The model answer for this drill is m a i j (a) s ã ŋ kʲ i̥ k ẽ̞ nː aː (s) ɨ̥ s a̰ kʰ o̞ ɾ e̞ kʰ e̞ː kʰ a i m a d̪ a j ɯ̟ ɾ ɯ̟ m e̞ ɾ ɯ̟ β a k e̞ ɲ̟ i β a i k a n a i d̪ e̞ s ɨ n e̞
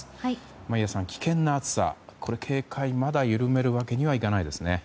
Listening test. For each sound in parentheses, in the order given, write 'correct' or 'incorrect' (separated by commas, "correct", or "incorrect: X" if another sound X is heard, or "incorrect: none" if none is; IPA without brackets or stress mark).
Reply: correct, incorrect: t͡s